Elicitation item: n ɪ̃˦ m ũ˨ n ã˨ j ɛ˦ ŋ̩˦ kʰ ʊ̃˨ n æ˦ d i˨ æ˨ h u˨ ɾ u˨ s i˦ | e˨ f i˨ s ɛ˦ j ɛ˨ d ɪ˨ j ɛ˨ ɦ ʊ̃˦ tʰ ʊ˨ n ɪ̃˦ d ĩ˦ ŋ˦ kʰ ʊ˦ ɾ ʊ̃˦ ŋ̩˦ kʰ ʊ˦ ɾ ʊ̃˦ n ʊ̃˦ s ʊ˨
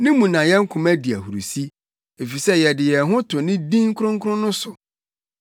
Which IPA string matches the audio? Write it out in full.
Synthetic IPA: n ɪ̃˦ m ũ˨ n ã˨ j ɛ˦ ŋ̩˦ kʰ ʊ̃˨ m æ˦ d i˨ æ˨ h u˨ ɾ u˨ s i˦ | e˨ f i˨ s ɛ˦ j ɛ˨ d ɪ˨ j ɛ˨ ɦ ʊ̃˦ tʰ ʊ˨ n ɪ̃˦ d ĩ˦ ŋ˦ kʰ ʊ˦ ɾ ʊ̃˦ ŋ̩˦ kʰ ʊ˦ ɾ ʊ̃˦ n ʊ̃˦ s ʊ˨